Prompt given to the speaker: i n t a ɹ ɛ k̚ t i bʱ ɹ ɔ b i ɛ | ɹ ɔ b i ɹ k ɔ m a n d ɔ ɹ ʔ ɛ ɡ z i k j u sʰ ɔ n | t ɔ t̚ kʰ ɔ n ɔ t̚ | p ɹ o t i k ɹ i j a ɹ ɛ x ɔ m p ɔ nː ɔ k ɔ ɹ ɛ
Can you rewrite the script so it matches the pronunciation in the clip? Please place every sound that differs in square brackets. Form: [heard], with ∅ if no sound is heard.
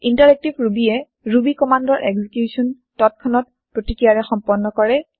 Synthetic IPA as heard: i n t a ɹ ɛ k̚ t i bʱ ɹ [u] b i ɛ | ɹ [u] b i [∅] k ɔ m a n d ɔ ɹ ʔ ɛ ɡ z i k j u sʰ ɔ n | t ɔ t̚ kʰ ɔ n ɔ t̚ | p ɹ o t i k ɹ i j a ɹ ɛ x ɔ m p ɔ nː ɔ k ɔ ɹ ɛ